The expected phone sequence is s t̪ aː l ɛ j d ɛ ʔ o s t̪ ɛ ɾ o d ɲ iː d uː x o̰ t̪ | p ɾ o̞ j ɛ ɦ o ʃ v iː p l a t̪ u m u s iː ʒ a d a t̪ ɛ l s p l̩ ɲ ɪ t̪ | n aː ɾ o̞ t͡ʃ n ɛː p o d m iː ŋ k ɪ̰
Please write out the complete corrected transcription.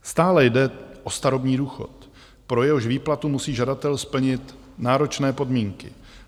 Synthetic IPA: s t̪ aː l ɛ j d ɛ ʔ o s t̪ a ɾ o b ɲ iː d uː x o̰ t̪ | p ɾ o̞ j ɛ ɦ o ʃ v iː p l a t̪ u m u s iː ʒ a d a t̪ ɛ l s p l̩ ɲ ɪ t̪ | n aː ɾ o̞ t͡ʃ n ɛː p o d m iː ŋ k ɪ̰